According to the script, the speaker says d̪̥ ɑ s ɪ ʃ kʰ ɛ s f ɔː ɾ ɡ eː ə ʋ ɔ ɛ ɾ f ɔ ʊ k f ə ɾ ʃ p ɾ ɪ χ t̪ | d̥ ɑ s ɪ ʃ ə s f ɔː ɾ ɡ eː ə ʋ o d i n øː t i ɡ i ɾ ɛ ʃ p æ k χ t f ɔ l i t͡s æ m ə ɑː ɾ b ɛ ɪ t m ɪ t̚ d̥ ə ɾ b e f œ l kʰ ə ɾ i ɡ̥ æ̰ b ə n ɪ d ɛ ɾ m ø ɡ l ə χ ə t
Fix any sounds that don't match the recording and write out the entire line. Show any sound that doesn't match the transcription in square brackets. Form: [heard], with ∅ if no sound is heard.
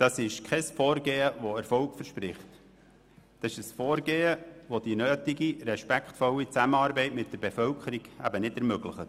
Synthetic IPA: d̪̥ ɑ s ɪ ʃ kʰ ɛ s f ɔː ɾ ɡ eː ə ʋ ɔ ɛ ɾ f ɔ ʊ k f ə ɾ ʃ p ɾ ɪ χ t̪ | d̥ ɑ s ɪ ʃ ə s f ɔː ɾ ɡ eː ə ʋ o d i n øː t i ɡ i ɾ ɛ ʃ p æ k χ t f ɔ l i t͡s æ m ə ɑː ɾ b ɛ ɪ t m ɪ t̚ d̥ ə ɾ b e f œ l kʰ ə ɾ i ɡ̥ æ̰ b ə n ɪ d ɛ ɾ m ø ɡ l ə χ ə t